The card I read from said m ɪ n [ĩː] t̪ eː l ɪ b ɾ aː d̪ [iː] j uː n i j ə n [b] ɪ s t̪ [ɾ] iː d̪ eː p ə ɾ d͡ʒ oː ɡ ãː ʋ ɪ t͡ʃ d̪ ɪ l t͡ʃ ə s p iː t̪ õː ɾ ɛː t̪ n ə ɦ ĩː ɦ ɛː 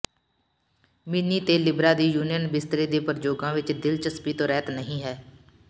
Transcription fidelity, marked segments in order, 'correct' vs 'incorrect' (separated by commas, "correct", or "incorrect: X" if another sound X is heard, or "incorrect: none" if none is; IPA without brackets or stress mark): incorrect: iː, correct, correct, correct